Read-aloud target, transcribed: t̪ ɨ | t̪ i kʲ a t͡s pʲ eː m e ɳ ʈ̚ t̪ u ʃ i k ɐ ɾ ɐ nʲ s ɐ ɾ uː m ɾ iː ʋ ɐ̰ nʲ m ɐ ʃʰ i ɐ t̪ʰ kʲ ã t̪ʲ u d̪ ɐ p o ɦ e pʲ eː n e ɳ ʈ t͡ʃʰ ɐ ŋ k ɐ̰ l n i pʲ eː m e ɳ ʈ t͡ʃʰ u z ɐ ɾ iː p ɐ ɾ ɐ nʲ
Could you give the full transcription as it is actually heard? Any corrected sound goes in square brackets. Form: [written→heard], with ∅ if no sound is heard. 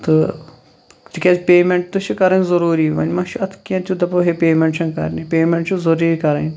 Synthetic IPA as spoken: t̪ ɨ | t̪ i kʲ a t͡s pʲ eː m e ɳ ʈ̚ t̪ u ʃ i k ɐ ɾ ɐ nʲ [s→z] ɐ ɾ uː [m→∅] ɾ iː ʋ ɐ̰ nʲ m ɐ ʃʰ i ɐ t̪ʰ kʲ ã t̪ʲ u d̪ ɐ p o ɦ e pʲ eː [n→m] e ɳ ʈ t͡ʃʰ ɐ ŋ k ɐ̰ [l→ɾ] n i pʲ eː m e ɳ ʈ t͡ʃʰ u z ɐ ɾ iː [p→k] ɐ ɾ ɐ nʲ